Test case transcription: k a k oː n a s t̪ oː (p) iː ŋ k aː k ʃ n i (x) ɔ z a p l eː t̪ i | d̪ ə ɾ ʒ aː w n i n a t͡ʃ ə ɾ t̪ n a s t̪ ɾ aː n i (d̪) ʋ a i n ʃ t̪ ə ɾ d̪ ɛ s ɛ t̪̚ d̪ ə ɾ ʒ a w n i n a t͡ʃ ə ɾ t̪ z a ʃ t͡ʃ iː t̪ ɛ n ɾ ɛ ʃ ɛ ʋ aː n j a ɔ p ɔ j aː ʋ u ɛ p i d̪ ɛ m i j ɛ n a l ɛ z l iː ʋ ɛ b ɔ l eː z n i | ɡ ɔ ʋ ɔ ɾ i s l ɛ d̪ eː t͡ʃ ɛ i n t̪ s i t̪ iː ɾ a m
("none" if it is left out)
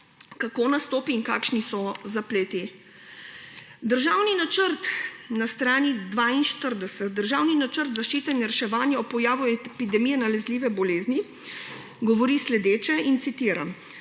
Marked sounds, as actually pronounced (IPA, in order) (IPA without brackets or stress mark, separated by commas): p, s, d̪